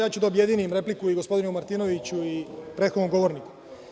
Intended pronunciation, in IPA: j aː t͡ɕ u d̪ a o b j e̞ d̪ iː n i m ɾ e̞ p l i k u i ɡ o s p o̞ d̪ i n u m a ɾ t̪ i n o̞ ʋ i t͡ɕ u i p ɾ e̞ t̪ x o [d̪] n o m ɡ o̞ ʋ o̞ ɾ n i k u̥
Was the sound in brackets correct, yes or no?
yes